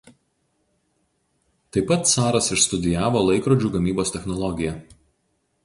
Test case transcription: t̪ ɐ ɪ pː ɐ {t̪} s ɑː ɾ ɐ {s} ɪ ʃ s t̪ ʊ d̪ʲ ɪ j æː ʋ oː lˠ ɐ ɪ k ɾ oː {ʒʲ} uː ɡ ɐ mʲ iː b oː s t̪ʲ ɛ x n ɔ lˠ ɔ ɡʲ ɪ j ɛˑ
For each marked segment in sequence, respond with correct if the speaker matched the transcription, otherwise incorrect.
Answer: correct, correct, incorrect

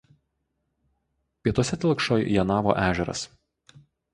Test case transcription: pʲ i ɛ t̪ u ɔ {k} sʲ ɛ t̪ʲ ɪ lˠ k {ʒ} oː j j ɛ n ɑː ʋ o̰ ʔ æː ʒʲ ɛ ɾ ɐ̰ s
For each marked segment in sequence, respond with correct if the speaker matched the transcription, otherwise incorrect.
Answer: incorrect, incorrect

